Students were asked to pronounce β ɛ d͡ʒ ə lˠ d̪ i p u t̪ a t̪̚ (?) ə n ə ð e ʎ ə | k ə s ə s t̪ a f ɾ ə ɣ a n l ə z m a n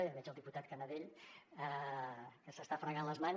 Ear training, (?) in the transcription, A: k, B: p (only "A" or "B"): A